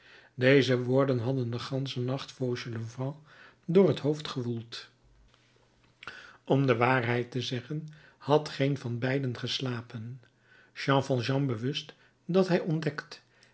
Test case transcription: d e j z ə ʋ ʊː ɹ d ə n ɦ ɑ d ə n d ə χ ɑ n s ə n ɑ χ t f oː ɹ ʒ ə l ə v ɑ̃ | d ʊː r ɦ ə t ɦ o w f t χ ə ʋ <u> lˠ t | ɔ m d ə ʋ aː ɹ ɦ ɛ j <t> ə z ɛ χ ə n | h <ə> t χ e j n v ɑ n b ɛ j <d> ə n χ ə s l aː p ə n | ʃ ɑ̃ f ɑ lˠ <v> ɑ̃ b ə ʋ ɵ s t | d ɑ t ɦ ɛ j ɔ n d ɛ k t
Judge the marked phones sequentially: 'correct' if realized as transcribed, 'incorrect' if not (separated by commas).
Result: correct, correct, incorrect, correct, incorrect